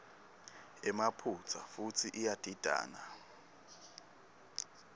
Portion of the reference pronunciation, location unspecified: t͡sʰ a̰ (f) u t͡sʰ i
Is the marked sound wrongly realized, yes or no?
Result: no